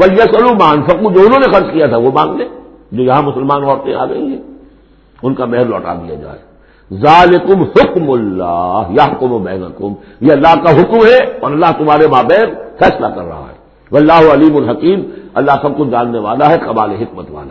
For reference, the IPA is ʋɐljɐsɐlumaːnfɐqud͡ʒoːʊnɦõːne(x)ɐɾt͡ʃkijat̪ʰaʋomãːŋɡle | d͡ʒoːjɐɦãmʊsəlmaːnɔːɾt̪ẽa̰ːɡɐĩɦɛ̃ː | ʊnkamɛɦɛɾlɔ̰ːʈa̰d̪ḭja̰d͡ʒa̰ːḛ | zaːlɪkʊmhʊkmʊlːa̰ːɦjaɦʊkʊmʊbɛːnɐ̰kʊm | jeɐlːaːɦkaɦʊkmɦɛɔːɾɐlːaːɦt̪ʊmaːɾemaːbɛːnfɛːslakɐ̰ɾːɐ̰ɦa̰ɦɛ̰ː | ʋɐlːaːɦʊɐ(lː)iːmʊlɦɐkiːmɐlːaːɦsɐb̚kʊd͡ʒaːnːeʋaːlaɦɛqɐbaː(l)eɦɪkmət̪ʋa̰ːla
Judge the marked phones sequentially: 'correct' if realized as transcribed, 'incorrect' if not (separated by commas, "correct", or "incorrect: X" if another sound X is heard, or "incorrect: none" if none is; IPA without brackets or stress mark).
correct, incorrect: l, correct